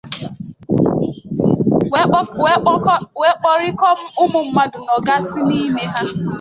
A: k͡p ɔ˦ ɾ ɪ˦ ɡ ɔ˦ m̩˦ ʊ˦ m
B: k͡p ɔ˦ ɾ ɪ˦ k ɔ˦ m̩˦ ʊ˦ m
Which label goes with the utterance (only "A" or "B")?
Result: B